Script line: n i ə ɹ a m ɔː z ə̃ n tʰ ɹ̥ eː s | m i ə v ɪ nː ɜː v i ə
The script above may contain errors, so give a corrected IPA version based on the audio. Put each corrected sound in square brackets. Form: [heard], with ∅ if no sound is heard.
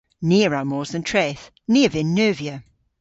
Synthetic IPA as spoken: n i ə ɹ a m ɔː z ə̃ n tʰ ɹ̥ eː [θ] | [n] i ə v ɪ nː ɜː v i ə